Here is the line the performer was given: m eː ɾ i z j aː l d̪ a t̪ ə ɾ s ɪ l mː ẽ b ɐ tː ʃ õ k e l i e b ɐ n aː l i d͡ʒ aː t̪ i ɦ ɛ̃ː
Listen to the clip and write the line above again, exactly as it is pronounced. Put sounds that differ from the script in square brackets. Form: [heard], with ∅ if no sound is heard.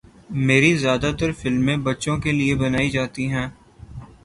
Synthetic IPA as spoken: m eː ɾ i z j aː [∅] d̪ a t̪ ə ɾ [f] ɪ l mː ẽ b ɐ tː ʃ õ k e l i e b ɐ n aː [∅] i d͡ʒ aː t̪ i ɦ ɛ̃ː